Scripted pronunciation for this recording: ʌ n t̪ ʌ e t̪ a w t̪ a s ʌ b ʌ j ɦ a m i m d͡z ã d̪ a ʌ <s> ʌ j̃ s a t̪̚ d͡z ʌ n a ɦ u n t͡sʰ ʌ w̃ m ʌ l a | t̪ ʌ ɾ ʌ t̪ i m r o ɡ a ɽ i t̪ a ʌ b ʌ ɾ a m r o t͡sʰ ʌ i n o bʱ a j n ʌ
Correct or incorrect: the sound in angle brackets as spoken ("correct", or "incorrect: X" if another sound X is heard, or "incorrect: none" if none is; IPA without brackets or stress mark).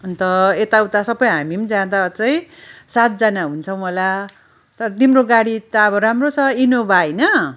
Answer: incorrect: t͡s